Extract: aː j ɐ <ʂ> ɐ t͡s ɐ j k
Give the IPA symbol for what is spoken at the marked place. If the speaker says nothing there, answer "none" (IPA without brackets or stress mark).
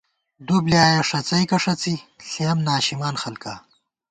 ʂ